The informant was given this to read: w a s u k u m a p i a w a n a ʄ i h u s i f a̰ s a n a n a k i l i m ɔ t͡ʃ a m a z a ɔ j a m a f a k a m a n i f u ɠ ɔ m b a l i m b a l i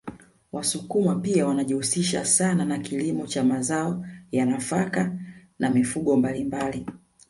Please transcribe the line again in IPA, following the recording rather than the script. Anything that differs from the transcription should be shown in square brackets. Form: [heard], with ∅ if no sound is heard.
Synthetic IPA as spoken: w a s u k u m a p i a w a n a ʄ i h u s i [ʃ] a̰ s a n a n a k i l i m ɔ t͡ʃ a m a z a ɔ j a [n] a f a k a [n] a [m] i f u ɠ ɔ m b a l i m b a l i